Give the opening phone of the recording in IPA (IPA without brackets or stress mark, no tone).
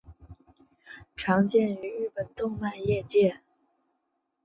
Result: ʈ͡ʂʰ